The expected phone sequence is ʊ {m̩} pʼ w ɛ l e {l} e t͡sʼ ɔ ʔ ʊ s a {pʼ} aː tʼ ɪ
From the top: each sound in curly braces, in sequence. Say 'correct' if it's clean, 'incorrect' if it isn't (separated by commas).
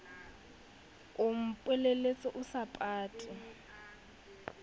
correct, correct, correct